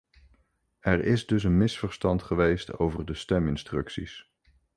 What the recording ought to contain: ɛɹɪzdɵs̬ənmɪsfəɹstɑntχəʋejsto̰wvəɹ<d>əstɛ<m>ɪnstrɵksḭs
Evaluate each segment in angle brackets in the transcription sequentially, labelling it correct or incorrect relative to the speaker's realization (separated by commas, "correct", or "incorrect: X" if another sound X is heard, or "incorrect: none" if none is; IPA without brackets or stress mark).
correct, correct